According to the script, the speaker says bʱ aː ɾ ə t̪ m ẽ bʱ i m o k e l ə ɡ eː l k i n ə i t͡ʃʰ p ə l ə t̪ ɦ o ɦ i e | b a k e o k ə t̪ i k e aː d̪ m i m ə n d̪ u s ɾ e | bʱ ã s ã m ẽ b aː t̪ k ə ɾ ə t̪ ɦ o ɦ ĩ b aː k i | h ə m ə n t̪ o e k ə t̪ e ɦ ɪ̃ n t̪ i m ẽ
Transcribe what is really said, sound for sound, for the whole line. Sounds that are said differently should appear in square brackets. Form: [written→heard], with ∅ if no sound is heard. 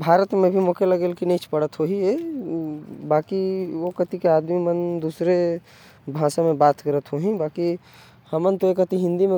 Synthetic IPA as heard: bʱ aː ɾ ə t̪ m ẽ bʱ i m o k e l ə ɡ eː l k i n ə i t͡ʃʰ p ə [l→ɽ] ə t̪ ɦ o ɦ i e | b a k [e→i] o k ə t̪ i k e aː d̪ m i m ə n d̪ u s ɾ e | bʱ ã s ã m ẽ b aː t̪ k ə ɾ ə t̪ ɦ o ɦ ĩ b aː k i | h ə m ə n t̪ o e k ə t̪ [e→i] ɦ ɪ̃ n [t̪→d̪] i m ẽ